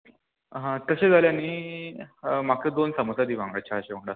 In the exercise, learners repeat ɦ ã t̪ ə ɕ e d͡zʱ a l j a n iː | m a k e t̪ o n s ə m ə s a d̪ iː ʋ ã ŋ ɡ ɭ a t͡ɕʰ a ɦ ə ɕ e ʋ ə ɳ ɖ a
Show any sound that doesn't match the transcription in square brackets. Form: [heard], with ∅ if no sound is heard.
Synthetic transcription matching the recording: ɦ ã t̪ ə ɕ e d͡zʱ a l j a n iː | m a k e [d̪] o n s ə m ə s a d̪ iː ʋ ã ŋ ɡ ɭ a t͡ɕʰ a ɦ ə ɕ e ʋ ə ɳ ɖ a